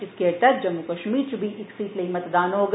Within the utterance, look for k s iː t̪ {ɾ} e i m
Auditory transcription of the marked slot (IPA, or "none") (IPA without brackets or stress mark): l